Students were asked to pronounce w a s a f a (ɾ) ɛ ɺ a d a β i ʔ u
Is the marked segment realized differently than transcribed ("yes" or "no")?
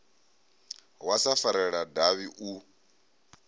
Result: no